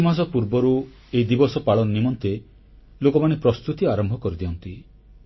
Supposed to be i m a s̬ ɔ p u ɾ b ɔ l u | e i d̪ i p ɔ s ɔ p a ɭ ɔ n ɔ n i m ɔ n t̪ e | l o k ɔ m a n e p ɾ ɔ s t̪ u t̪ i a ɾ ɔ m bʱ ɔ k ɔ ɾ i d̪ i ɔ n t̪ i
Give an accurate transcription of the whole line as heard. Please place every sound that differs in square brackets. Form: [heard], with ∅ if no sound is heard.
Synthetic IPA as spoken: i m a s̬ ɔ p u ɾ b ɔ [ɾ] u | e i d̪ i [b] ɔ s ɔ p a ɭ ɔ n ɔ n i m ɔ n t̪ e | l o k ɔ m a n e p ɾ ɔ s t̪ u t̪ i a ɾ ɔ m bʱ ɔ k ɔ ɾ i d̪ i ɔ n t̪ i